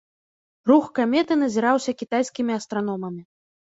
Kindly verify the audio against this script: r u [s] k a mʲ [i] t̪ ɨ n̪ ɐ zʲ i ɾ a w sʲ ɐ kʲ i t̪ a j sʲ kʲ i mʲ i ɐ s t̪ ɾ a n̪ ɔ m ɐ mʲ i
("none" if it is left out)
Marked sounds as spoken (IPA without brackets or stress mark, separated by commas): x, ɛ